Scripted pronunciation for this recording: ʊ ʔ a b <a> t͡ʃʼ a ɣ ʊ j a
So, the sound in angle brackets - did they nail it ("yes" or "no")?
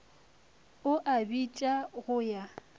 no